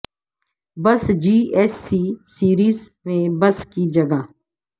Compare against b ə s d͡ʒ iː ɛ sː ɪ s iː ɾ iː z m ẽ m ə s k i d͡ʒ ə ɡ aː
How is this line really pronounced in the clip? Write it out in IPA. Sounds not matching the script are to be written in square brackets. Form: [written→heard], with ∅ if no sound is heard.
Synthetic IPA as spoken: b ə s d͡ʒ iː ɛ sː [ɪ→i] s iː ɾ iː z m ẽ [m→b] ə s k i d͡ʒ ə ɡ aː